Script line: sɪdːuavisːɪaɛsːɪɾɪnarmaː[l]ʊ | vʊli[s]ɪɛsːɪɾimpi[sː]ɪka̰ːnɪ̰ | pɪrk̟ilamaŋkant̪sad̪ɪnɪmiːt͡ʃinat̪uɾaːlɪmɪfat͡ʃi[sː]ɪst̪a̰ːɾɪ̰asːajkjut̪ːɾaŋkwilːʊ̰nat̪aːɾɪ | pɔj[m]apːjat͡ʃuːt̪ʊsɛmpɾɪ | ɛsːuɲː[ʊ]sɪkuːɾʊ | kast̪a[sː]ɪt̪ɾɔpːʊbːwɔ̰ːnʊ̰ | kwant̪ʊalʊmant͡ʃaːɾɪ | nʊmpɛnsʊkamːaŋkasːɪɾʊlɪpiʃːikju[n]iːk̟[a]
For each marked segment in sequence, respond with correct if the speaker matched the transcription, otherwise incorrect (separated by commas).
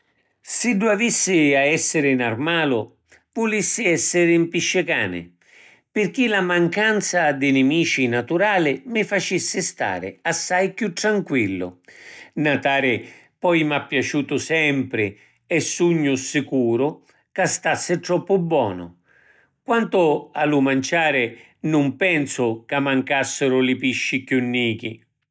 correct, incorrect, incorrect, correct, correct, correct, correct, incorrect, incorrect